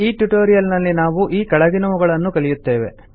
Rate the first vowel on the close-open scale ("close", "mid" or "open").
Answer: close